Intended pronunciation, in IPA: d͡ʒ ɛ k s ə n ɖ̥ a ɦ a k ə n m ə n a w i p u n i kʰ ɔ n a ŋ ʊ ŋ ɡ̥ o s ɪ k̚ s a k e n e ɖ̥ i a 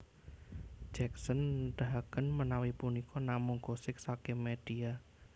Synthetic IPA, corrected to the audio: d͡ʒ ɛ k s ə n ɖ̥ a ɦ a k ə n m ə n a w i p u n i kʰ ɔ n a m ʊ ŋ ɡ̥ o s ɪ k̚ s a k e m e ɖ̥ i a